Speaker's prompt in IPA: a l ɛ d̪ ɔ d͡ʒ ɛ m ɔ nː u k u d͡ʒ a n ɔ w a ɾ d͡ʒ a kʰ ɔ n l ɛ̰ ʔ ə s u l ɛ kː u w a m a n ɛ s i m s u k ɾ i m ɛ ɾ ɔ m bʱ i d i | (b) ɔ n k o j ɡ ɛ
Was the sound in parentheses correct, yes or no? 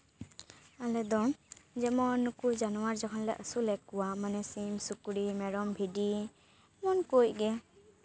no